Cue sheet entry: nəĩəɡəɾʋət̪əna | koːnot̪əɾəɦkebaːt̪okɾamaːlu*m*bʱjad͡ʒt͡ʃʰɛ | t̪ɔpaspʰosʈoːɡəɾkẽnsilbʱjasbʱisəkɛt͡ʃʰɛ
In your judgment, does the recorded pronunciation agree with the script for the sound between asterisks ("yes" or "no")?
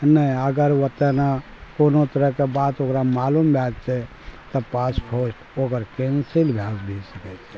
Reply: yes